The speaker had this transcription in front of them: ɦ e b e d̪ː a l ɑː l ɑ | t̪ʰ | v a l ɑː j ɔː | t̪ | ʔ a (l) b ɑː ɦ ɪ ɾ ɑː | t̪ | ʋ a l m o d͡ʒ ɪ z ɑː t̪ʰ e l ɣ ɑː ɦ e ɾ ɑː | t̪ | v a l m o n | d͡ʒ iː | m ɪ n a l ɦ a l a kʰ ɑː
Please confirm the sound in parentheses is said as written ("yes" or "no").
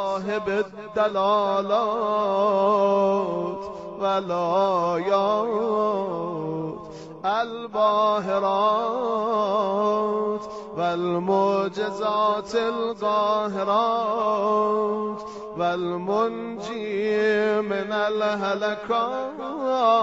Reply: yes